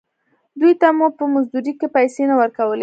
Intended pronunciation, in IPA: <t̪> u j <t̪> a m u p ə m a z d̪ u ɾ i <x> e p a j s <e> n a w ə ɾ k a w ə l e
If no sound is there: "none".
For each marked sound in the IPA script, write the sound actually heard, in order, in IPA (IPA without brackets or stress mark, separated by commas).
d̪, t̪, k, e